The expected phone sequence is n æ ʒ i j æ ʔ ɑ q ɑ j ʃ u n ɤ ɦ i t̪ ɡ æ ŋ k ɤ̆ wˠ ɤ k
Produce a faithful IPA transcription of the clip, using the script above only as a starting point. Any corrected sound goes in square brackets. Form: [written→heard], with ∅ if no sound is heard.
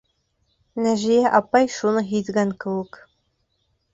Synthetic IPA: n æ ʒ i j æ ʔ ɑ [q→p] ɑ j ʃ u n ɤ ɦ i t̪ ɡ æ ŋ k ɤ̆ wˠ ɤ k